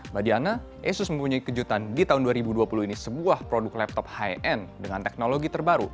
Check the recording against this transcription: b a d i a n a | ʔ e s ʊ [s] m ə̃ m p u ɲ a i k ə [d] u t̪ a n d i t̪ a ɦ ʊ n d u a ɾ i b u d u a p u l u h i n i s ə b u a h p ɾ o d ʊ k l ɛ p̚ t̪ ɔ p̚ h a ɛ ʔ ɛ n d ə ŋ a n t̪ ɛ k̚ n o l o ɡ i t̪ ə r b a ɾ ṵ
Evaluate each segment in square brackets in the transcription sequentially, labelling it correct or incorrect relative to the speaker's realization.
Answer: correct, incorrect: d͡ʒ

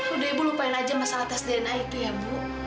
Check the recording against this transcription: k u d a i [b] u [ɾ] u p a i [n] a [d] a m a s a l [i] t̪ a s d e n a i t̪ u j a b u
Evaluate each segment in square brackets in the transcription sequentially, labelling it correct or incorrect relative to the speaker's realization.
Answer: correct, incorrect: l, correct, incorrect: d͡ʒ, incorrect: a

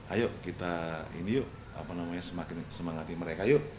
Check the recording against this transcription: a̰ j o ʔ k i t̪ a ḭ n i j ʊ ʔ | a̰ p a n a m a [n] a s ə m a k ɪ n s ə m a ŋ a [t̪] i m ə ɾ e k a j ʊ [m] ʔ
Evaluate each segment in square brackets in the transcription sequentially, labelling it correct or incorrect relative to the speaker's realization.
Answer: incorrect: ɲ, correct, incorrect: none

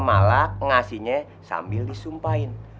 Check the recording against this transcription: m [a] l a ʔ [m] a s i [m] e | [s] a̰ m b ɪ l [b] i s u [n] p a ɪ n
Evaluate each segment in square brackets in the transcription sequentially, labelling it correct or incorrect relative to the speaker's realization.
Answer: correct, incorrect: ŋ, incorrect: ɲ, correct, incorrect: d, incorrect: m

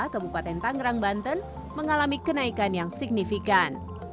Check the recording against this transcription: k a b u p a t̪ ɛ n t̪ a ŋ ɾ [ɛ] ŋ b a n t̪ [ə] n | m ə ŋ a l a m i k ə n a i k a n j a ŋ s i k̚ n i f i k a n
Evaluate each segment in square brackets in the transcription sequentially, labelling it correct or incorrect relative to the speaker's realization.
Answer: incorrect: a, correct

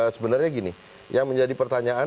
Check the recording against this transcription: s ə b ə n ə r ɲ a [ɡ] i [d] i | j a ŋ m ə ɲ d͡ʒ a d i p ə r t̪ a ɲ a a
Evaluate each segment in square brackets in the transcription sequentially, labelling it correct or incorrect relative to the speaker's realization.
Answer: correct, incorrect: n

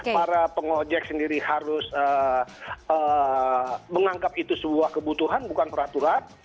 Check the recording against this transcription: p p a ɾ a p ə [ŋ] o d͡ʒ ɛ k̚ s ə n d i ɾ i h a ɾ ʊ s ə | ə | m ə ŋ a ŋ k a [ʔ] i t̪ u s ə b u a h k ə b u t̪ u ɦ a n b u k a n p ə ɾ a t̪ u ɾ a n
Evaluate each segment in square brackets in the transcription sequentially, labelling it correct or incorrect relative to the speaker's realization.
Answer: correct, incorrect: p

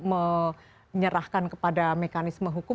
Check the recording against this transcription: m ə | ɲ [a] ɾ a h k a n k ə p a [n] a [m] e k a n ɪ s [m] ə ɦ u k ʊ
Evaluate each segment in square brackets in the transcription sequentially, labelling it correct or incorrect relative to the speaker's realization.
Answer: incorrect: ə, incorrect: d, correct, correct

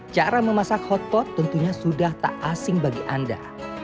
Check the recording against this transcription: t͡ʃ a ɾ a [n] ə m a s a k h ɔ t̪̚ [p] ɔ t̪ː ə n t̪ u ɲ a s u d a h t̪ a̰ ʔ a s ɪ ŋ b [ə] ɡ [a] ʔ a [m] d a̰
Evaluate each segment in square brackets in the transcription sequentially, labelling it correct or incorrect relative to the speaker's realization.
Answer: incorrect: m, correct, incorrect: a, incorrect: i, incorrect: n

